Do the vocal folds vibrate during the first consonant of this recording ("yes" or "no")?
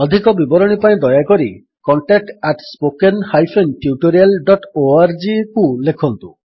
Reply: yes